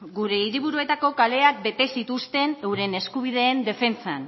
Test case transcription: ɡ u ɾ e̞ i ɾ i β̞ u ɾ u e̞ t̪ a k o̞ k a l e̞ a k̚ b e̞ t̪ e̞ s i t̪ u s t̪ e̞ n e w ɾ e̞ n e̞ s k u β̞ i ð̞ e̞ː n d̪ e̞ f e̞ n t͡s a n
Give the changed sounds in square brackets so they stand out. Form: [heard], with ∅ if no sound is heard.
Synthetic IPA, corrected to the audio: ɡ u ɾ e̞ i ɾ i β̞ u ɾ u e̞ t̪ a k o̞ k a l e̞ a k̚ b e̞ t̪ e̞ s i t̪ u s t̪ e̞ n e w ɾ e̞ n e̞ s k u β̞ i ð̞ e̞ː n d̪ e̞ f e̞ n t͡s a n